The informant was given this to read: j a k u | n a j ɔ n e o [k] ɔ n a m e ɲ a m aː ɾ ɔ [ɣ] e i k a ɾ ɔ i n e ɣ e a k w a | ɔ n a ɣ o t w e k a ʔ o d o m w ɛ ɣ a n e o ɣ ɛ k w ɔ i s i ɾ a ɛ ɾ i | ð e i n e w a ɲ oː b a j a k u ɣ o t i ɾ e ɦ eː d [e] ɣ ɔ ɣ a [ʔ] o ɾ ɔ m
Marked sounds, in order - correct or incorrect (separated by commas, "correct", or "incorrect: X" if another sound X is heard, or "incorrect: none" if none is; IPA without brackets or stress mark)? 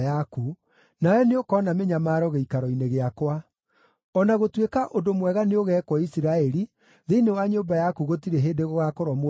correct, correct, correct, incorrect: k